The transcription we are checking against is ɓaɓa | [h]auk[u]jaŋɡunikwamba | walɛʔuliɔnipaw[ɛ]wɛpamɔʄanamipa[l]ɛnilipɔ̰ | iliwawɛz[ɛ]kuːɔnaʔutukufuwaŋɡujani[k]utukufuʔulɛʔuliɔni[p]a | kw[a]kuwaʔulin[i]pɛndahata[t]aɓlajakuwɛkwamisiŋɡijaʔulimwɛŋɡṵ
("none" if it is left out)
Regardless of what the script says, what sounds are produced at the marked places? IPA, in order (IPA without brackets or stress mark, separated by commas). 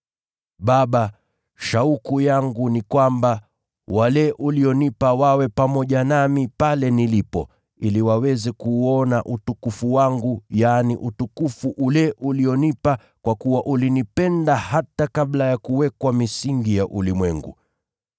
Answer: ʃ, u, a, l, ɛ, ʔ, p, a, i, k